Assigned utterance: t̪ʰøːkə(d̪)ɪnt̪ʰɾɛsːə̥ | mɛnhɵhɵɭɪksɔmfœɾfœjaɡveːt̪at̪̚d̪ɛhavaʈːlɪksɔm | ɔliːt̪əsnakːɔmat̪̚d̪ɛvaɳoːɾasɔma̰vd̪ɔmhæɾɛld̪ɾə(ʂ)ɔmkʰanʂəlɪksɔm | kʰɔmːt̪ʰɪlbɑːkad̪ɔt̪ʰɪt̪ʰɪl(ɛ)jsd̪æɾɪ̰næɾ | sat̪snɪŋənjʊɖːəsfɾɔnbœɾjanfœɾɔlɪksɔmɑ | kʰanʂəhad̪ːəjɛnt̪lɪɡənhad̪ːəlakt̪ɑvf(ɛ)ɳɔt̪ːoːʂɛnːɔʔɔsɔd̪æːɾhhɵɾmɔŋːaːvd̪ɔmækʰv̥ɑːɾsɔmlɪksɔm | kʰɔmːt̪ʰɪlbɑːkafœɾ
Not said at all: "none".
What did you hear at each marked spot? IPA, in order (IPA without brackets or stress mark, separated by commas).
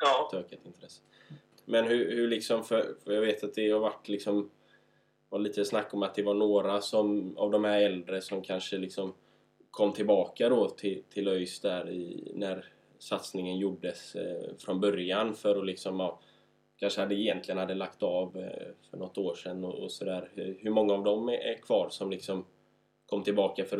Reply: t̪, s, œ, œ